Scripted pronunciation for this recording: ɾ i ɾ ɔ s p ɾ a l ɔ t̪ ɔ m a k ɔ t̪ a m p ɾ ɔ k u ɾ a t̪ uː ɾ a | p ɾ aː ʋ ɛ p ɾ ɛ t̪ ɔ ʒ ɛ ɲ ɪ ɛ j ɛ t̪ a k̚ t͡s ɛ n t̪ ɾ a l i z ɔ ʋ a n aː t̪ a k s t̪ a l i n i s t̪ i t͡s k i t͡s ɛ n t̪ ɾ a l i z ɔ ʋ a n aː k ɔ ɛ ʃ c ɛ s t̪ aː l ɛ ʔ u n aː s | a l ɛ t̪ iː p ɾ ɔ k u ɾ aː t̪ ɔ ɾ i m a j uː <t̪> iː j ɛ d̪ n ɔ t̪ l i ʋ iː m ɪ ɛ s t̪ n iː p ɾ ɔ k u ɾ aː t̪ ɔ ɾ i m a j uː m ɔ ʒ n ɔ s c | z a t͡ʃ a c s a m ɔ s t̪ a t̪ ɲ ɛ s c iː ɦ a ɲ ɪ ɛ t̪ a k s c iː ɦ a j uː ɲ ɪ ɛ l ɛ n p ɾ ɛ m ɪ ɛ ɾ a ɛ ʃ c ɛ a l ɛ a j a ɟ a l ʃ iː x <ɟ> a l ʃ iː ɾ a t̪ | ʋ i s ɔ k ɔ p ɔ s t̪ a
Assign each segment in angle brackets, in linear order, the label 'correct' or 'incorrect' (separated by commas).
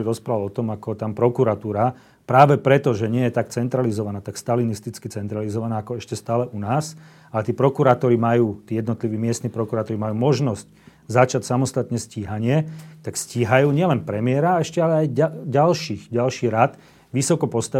correct, correct